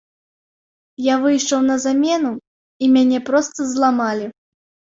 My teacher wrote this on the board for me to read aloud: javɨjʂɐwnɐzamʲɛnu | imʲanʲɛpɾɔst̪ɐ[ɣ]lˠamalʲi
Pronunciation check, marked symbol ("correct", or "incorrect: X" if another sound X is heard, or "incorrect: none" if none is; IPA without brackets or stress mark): incorrect: z